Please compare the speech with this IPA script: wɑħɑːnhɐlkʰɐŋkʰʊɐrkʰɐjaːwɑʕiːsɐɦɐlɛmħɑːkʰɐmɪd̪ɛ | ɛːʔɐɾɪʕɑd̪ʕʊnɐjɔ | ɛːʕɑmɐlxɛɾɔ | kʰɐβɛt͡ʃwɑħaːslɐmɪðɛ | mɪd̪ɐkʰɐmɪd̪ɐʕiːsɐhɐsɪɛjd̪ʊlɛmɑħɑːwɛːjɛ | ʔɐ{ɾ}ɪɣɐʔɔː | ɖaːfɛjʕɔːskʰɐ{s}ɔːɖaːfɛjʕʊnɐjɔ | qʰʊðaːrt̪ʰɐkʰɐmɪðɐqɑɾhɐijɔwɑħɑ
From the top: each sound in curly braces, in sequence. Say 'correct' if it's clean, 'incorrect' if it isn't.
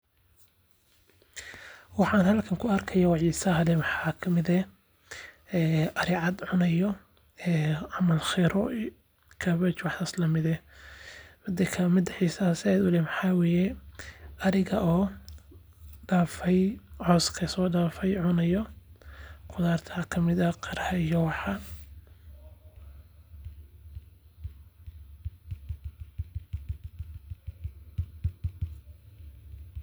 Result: correct, correct

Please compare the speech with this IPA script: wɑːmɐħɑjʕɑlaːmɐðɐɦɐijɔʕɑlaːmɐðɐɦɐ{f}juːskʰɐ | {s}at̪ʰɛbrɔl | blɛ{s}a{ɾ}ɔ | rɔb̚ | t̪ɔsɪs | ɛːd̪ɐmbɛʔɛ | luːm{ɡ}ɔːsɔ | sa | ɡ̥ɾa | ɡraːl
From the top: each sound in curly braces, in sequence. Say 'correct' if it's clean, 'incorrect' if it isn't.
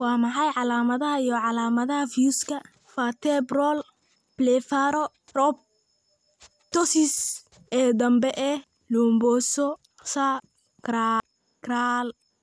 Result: correct, incorrect: f, incorrect: f, correct, incorrect: b

